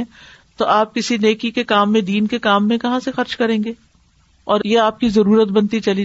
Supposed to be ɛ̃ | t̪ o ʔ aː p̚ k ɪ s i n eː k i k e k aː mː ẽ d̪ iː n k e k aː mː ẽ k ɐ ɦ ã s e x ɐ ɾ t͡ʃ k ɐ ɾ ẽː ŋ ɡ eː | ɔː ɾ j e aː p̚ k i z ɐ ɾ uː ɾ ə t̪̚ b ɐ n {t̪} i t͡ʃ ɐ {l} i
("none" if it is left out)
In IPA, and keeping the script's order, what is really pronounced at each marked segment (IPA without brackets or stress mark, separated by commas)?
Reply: t̪, l